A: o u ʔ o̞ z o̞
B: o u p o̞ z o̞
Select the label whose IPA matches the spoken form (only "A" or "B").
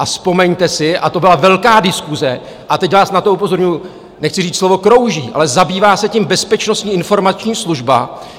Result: B